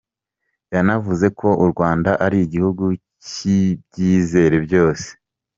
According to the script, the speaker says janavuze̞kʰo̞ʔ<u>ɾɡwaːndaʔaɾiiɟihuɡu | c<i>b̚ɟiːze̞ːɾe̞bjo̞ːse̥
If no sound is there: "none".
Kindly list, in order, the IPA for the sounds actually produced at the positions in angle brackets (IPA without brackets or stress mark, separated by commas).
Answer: u, i